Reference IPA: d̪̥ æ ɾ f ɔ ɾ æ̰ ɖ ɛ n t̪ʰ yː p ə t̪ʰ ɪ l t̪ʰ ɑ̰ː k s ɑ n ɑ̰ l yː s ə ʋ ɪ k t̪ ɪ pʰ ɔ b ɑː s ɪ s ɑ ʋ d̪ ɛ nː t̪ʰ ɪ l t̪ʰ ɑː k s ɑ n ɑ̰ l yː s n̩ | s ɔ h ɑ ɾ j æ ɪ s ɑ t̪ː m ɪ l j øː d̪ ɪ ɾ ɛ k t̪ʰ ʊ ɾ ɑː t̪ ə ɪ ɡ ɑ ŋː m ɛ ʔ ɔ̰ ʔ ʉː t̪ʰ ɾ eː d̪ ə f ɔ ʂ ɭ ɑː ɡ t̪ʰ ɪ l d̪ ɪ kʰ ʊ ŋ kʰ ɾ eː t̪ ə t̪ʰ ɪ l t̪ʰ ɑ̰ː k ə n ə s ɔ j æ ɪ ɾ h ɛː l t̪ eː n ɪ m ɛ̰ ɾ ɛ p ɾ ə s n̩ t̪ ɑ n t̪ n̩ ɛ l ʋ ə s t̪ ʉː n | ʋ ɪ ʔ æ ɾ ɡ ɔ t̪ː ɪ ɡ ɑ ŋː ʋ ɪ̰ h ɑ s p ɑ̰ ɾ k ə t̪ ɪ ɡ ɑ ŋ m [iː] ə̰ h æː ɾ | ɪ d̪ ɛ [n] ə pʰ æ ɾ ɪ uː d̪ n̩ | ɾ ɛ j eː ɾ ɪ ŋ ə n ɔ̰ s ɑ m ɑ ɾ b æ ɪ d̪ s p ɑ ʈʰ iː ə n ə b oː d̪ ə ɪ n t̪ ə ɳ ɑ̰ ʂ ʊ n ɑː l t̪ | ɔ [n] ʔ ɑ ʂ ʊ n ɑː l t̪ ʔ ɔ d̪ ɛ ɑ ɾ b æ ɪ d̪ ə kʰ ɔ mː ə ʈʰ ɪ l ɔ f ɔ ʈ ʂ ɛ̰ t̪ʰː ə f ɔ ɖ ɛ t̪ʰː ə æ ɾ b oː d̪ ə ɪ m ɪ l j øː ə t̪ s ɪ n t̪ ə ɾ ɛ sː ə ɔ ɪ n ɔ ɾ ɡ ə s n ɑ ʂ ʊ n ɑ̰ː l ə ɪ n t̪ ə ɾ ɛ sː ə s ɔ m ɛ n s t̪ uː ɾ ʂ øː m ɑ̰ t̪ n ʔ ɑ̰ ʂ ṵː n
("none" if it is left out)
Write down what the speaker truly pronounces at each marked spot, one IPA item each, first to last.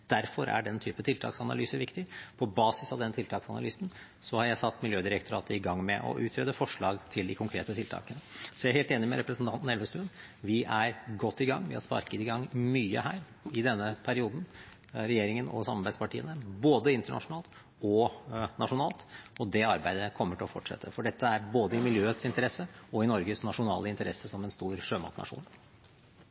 yː, nː, n

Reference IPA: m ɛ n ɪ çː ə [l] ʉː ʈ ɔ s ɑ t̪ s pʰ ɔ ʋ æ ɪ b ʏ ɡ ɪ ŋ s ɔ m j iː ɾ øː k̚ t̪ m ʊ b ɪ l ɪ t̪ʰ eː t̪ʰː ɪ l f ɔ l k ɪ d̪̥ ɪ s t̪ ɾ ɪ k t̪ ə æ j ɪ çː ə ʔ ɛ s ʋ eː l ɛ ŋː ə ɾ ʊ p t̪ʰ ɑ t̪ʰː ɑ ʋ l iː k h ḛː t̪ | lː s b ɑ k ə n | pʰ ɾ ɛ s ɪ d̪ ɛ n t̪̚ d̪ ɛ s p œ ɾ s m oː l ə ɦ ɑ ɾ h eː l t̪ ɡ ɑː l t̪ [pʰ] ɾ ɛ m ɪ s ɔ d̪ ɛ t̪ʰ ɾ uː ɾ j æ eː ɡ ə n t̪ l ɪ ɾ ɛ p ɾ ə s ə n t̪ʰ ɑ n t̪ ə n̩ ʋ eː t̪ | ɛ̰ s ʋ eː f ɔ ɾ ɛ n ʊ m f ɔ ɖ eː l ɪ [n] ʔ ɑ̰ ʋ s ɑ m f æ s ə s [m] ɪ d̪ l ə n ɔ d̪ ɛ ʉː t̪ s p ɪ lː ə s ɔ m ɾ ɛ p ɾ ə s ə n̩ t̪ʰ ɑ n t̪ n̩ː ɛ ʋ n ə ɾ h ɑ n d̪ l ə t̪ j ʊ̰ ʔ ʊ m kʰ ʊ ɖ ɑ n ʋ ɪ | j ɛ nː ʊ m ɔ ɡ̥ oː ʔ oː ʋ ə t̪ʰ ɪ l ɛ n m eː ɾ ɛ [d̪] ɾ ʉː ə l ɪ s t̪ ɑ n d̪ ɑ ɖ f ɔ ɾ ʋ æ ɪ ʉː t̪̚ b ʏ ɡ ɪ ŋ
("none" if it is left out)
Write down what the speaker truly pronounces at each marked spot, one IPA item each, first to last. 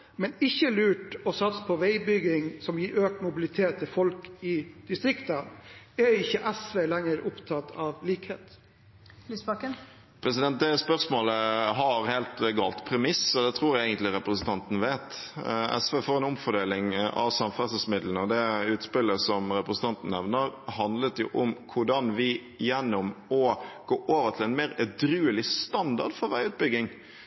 l, pʰ, ŋ, m, d̪

